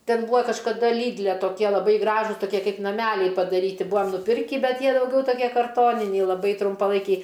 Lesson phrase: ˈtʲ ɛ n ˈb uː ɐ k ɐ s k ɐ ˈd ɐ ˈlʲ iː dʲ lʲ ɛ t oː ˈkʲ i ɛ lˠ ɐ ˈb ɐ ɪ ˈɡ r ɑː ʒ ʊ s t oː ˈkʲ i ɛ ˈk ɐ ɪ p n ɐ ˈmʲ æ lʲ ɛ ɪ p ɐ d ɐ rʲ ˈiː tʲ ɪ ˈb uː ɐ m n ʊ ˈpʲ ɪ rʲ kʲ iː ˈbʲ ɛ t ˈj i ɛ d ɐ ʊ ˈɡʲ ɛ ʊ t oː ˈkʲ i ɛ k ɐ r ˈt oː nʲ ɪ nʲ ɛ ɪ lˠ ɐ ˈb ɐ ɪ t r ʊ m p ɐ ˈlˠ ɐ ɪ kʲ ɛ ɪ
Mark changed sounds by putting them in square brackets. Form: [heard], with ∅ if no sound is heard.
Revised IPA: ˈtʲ ɛ n ˈb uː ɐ k ɐ [ʃ] k ɐ ˈd ɐ ˈlʲ iː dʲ lʲ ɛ t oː ˈkʲ i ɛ lˠ ɐ ˈb ɐ ɪ ˈɡ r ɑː ʒ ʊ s t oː ˈkʲ i ɛ ˈk ɐ ɪ p n ɐ ˈmʲ æ lʲ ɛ ɪ p ɐ d ɐ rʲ ˈiː tʲ ɪ ˈb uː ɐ m n ʊ ˈpʲ ɪ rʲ kʲ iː ˈbʲ ɛ t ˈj i ɛ d ɐ ʊ ˈɡʲ ɛ ʊ t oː ˈkʲ i ɛ k ɐ r ˈt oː nʲ ɪ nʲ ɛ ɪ lˠ ɐ ˈb ɐ ɪ t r ʊ m p ɐ ˈlˠ ɐ ɪ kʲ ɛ ɪ

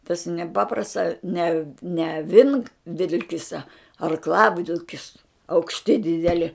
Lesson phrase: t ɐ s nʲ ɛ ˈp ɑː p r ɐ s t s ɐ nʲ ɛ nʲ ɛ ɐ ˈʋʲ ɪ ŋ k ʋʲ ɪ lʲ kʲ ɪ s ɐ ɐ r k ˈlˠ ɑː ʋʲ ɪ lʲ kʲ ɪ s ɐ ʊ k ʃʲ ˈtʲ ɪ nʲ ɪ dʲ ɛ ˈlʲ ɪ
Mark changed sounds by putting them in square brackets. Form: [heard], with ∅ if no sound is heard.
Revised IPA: t ɐ s nʲ ɛ ˈp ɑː p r ɐ s t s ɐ nʲ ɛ nʲ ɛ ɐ ˈʋʲ ɪ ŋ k ʋʲ ɪ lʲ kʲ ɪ s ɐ ɐ r k ˈlˠ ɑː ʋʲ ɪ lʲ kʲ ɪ s ɐ ʊ k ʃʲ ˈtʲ ɪ [dʲ] ɪ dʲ ɛ ˈlʲ ɪ

